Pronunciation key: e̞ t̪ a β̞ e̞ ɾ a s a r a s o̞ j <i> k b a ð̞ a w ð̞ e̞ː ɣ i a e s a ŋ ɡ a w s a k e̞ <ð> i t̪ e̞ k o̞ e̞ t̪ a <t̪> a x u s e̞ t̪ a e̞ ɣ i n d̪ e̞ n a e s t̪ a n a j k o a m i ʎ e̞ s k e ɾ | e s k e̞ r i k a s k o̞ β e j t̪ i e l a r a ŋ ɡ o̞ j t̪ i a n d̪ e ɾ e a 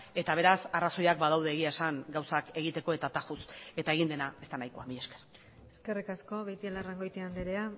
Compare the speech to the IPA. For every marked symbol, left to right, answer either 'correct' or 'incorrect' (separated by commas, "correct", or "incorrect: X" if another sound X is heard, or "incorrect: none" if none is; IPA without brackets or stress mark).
incorrect: a, incorrect: ɣ, correct